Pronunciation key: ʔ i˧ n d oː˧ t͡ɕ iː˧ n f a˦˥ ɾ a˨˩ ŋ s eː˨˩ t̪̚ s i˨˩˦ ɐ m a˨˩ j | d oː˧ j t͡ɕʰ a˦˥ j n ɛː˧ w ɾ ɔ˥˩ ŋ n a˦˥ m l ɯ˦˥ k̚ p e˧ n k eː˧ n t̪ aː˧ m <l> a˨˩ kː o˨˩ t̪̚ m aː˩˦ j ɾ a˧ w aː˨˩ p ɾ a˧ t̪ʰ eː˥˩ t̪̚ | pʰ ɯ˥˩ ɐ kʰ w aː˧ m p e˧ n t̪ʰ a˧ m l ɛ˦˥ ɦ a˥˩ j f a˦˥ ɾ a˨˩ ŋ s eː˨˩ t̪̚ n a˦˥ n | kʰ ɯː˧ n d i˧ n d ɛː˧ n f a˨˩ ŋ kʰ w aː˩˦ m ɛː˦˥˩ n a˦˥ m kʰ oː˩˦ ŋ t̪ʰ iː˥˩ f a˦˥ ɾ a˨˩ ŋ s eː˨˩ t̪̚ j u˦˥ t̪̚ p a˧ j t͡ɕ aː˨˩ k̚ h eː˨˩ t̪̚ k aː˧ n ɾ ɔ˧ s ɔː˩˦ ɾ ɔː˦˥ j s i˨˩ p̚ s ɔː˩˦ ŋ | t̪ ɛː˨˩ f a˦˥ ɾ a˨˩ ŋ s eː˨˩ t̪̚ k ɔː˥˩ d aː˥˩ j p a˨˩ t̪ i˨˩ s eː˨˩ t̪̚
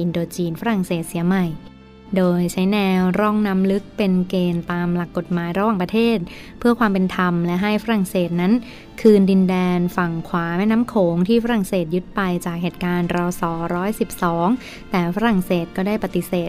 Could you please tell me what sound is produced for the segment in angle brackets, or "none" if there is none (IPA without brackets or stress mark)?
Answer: l